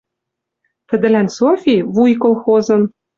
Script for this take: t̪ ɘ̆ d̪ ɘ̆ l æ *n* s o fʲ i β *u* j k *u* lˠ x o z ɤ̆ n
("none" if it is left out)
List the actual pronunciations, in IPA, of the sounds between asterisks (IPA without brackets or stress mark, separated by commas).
n, u, o